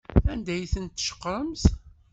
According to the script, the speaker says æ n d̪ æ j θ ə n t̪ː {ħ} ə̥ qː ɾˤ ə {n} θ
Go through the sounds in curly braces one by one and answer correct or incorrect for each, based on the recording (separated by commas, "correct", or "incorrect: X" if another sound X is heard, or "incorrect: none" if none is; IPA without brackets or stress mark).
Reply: incorrect: ʃ, incorrect: m